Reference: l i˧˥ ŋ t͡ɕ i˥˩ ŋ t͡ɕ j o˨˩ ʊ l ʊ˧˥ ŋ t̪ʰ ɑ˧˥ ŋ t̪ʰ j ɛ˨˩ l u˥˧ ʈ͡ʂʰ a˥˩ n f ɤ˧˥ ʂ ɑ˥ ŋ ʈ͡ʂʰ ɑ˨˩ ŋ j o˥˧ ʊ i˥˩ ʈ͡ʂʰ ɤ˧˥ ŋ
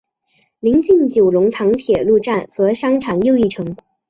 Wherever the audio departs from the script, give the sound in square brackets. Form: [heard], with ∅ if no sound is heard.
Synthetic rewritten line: l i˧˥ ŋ t͡ɕ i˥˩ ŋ t͡ɕ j o˨˩ ʊ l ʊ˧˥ ŋ t̪ʰ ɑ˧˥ ŋ t̪ʰ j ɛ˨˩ l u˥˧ [ʈ͡ʂ] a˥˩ n [x] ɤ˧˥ ʂ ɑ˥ ŋ ʈ͡ʂʰ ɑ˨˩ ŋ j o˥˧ ʊ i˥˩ ʈ͡ʂʰ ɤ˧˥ ŋ